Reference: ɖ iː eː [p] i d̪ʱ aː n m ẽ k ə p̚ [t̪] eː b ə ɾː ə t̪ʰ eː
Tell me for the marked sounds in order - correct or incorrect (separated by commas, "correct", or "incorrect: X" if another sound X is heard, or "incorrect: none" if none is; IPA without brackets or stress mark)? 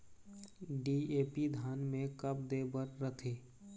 correct, incorrect: d̪